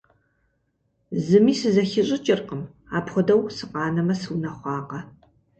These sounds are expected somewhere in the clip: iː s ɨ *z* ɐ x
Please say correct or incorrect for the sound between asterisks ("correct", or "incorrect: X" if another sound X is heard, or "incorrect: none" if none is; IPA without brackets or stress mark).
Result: correct